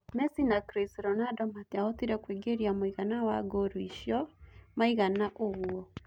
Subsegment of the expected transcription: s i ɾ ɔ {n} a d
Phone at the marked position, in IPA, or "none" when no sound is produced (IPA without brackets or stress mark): n